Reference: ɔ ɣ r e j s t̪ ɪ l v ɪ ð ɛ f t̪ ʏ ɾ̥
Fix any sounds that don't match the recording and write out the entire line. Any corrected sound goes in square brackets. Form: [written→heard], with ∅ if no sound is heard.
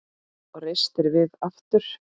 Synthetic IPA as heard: ɔ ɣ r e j s t̪ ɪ [l→ɾ] v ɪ ð [ɛ→a] f t̪ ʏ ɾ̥